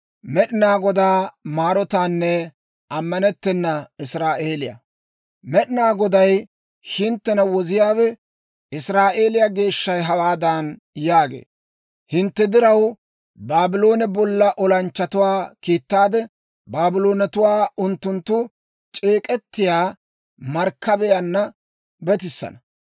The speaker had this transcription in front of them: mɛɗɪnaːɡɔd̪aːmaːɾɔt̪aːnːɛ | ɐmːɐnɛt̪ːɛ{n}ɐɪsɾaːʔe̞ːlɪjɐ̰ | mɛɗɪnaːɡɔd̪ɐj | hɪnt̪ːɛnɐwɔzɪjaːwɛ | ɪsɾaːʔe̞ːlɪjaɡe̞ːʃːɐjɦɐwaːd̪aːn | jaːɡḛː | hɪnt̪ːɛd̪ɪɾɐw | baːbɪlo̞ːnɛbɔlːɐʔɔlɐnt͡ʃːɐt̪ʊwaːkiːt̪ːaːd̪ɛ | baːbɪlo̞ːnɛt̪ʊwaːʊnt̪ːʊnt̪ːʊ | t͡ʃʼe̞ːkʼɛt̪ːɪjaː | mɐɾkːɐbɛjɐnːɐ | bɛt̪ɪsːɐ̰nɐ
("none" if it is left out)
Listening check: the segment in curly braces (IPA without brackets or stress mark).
nː